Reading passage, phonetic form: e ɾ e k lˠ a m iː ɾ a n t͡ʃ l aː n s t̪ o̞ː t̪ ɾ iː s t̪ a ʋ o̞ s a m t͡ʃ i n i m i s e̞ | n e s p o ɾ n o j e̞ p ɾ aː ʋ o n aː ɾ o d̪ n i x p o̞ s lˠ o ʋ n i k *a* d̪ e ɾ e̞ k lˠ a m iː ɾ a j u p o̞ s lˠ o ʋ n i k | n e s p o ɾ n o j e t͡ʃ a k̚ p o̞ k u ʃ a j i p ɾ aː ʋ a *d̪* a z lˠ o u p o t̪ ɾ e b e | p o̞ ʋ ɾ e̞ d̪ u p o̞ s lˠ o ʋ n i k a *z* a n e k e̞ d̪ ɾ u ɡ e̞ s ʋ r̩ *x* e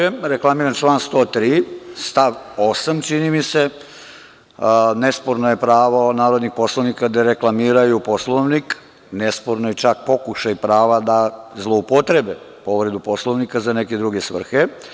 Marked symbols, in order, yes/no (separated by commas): yes, yes, yes, yes